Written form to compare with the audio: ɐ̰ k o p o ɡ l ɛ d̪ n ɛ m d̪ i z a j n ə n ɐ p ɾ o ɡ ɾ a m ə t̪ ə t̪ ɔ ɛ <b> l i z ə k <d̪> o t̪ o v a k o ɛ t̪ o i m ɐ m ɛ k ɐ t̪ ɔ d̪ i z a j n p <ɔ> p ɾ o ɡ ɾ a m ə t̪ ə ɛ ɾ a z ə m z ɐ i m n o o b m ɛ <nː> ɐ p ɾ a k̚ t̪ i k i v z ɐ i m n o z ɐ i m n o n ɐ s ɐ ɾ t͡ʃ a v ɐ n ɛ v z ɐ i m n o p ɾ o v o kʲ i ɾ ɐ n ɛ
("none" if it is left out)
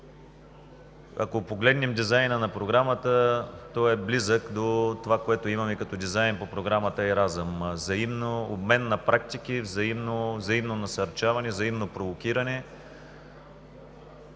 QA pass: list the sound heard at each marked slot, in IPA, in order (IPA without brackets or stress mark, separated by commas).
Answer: b, d̪, o, nː